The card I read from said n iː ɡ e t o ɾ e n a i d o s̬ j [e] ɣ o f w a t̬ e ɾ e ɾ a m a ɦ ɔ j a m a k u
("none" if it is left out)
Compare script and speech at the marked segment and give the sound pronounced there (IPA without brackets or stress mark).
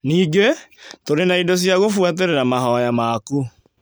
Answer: a